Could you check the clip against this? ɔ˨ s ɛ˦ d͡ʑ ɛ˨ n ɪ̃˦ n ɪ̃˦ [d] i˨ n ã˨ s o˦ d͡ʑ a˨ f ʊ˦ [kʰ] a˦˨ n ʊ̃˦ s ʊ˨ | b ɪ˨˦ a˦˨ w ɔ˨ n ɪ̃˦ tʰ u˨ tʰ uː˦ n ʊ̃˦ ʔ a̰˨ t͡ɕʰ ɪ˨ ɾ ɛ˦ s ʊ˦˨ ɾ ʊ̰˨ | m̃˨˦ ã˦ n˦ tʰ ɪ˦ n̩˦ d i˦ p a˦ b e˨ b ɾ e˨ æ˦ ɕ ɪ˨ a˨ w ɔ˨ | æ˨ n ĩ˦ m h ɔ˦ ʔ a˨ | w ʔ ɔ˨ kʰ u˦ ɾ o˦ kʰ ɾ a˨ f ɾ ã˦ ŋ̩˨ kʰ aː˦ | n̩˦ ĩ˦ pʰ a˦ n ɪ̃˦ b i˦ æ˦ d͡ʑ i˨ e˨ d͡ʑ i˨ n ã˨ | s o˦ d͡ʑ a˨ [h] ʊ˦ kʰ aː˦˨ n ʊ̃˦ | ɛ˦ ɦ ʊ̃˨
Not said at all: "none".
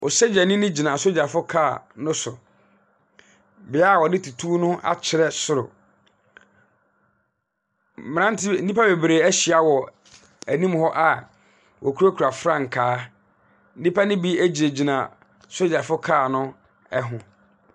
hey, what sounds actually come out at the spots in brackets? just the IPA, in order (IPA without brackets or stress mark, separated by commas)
d͡ʑ, kʰ, f